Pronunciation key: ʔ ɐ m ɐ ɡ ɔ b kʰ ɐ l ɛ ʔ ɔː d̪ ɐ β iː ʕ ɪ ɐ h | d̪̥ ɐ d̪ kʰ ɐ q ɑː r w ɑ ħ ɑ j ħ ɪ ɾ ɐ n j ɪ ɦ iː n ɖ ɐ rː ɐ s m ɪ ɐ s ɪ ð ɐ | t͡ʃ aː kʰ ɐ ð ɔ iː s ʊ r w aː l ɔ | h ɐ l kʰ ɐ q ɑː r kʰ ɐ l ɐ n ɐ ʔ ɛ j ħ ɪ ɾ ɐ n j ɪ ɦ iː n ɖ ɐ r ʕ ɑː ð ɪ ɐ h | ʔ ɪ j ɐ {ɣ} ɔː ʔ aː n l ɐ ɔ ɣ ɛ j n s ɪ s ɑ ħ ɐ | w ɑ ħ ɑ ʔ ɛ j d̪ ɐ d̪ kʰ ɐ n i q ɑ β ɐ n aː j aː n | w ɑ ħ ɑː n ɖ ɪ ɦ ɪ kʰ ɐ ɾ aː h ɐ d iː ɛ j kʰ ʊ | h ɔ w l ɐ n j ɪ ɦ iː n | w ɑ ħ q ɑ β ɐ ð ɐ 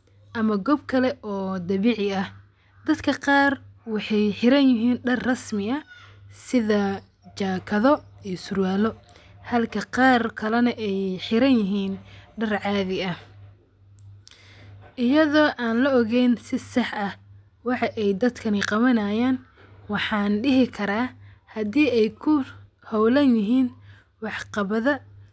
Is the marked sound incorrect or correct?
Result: incorrect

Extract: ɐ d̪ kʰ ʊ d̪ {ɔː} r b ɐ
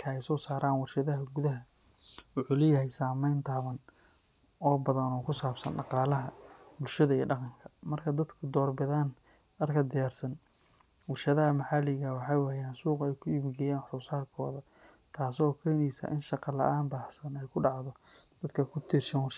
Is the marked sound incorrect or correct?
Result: correct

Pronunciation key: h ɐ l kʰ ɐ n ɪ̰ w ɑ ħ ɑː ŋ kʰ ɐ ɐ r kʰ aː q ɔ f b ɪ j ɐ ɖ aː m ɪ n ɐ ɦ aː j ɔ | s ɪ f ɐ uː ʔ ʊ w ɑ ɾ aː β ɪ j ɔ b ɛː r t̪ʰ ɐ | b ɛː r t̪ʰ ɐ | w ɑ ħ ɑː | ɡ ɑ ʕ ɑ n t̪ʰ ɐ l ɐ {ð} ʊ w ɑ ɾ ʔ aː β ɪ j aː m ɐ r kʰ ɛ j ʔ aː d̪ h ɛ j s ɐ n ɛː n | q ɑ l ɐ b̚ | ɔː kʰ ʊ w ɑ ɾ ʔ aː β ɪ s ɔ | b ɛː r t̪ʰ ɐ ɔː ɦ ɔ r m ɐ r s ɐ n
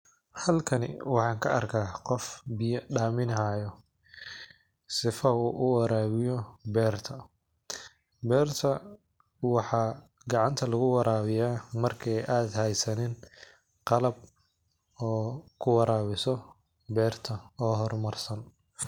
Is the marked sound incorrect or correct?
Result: incorrect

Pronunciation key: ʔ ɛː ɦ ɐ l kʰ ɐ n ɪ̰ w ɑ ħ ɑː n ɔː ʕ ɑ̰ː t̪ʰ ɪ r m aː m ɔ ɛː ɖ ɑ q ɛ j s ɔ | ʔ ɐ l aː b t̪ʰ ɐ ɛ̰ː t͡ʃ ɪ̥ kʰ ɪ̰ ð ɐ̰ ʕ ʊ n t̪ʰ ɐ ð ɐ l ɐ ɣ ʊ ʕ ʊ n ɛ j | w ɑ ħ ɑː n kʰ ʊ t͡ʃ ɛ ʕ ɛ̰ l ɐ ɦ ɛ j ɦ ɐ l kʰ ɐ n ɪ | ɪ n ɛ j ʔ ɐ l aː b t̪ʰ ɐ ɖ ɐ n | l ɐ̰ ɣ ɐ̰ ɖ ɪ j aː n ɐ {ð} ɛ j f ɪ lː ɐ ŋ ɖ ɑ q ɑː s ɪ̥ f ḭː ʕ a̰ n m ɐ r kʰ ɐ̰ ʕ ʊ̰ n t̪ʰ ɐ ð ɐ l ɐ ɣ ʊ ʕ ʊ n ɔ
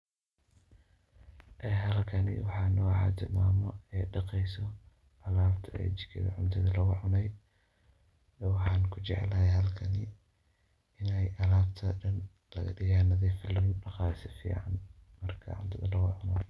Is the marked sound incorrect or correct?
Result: correct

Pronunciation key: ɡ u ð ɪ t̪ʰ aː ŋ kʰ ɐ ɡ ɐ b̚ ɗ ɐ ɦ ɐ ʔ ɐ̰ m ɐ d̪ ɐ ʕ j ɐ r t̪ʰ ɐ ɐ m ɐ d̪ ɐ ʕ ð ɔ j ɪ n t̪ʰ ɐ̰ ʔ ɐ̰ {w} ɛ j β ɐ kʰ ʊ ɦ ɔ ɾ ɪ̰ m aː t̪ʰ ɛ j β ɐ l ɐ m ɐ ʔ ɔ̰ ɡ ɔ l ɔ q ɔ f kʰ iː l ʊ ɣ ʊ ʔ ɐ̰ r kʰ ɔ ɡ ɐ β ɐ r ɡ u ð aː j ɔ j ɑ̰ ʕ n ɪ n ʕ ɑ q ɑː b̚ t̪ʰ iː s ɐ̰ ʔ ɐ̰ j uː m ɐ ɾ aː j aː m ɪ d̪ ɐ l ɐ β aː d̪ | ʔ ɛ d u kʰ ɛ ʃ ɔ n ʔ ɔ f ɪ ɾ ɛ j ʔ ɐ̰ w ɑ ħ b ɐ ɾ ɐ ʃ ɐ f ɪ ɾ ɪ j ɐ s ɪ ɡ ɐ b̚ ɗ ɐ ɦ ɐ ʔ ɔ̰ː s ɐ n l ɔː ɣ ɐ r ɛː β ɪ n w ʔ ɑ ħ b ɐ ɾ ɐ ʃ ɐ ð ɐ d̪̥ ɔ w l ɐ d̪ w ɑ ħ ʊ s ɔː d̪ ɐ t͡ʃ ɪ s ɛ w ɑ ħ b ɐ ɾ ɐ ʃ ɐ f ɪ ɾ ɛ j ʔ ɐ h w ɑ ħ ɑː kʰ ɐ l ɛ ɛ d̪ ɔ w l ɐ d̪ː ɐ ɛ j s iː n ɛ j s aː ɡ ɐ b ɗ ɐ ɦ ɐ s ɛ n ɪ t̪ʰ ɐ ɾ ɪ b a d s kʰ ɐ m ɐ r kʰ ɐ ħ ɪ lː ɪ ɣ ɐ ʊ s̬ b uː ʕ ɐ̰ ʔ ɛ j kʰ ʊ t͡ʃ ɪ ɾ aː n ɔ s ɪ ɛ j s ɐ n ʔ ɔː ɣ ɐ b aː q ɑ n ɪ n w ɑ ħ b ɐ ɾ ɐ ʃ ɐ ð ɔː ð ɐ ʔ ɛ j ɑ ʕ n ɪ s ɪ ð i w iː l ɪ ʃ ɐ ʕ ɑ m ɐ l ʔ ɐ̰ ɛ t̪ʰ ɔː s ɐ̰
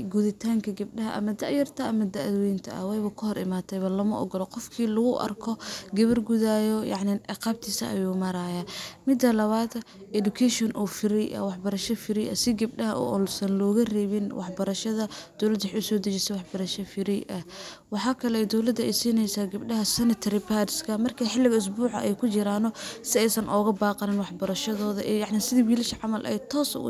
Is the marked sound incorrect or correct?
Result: correct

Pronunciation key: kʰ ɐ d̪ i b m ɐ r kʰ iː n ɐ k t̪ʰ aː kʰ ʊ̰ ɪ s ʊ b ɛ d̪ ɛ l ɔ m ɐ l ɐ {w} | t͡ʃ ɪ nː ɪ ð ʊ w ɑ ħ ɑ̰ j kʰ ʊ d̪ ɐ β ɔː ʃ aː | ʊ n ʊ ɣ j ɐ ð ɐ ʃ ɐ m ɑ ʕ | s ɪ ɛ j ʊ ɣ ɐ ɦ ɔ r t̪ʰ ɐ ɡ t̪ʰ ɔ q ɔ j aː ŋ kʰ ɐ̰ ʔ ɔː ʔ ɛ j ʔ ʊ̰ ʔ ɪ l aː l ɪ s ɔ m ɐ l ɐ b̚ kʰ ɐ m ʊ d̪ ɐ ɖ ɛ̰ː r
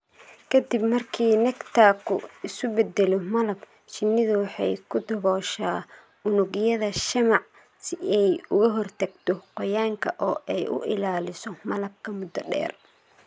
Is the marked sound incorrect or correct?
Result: incorrect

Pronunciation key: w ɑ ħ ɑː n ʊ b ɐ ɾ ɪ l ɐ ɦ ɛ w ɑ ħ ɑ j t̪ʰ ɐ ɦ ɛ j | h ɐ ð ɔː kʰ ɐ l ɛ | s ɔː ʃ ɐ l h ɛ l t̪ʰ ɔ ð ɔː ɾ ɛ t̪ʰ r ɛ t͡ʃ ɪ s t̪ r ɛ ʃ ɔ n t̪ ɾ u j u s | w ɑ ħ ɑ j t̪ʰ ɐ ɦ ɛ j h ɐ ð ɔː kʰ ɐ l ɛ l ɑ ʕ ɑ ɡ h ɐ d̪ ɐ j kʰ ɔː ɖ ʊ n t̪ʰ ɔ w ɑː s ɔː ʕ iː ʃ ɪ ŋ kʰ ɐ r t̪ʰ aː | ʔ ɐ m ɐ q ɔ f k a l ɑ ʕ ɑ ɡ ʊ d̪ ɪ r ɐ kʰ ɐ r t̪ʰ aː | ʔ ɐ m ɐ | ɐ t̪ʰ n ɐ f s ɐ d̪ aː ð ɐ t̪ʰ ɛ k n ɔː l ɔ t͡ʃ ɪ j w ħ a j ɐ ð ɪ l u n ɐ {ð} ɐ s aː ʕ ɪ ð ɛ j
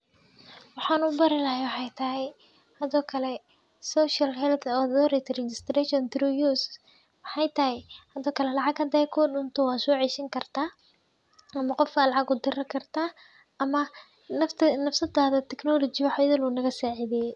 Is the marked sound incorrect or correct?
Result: incorrect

